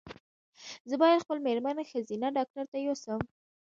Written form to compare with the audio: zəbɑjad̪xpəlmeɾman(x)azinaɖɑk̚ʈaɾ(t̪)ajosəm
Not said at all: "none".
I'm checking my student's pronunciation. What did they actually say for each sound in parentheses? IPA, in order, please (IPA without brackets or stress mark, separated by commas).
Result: x, t̪